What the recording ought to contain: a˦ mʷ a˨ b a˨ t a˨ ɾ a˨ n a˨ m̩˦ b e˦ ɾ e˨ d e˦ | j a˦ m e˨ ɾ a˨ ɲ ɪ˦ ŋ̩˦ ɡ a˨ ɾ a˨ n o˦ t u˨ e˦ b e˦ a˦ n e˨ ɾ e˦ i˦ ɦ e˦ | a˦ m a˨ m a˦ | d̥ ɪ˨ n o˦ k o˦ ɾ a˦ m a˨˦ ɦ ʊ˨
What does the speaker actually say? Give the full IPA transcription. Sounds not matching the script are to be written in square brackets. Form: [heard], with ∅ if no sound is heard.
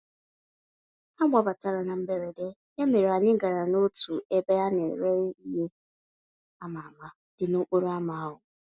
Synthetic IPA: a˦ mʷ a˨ b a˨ t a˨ ɾ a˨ n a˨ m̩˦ b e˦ ɾ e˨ d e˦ | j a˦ m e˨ ɾ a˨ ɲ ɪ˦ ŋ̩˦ ɡ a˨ ɾ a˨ n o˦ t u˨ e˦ b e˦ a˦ n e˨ ɾ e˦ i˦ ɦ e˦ | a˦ m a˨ m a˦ | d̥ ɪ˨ n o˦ [k͡p] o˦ ɾ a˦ m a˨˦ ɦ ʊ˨